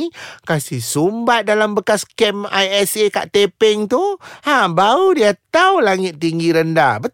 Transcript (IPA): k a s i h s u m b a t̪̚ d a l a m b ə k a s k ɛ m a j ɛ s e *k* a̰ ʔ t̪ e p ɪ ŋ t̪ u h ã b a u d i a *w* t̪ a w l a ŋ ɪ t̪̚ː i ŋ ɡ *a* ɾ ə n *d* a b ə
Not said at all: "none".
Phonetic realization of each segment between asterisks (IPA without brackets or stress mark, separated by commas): k, none, i, d